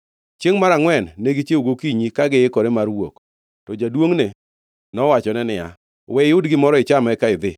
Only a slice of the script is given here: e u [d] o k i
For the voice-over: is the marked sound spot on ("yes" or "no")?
no